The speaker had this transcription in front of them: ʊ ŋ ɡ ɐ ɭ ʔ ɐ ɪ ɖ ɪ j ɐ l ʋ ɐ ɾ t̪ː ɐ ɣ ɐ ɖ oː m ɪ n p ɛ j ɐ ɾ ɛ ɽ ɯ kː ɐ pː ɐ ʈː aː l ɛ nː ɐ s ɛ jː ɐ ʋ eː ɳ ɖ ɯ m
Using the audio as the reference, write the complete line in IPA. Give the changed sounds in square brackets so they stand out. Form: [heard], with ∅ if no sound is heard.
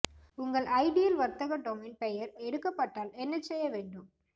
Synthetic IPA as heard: ʊ ŋ ɡ ɐ ɭ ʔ ɐ ɪ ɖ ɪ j ɐ l ʋ ɐ ɾ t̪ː ɐ ɣ ɐ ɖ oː m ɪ n p ɛ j ɐ ɾ ɛ ɽ ɯ kː ɐ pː ɐ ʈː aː l ɛ nː ɐ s ɛ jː ɐ ʋ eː ɳ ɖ ɯ m